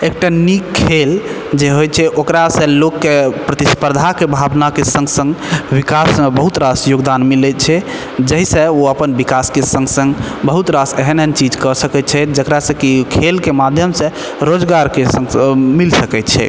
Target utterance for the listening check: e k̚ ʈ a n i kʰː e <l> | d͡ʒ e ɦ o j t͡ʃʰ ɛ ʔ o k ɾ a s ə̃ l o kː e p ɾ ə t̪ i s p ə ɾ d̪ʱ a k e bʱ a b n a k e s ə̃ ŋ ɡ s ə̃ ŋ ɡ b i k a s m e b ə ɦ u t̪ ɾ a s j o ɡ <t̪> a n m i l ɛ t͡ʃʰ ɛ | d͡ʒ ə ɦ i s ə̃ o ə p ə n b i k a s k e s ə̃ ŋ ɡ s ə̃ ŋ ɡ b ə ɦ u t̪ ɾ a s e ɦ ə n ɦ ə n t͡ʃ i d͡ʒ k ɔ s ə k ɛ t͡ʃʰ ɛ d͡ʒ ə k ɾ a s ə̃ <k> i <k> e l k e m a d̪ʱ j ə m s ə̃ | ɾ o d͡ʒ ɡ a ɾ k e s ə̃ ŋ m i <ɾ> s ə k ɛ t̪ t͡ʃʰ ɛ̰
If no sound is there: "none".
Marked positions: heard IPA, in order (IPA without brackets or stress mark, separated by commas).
l, d̪, k, kʰ, l